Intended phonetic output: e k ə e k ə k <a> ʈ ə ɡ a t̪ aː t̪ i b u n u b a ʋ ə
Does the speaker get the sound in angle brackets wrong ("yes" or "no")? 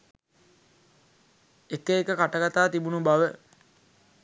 no